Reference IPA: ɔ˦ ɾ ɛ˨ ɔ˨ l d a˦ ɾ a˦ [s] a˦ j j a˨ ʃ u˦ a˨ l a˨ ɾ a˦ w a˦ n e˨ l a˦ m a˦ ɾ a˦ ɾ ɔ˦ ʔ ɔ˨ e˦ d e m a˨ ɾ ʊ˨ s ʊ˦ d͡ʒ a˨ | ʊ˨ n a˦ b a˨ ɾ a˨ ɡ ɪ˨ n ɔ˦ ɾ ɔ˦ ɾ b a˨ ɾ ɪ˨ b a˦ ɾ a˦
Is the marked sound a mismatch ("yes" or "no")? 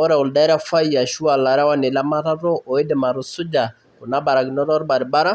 yes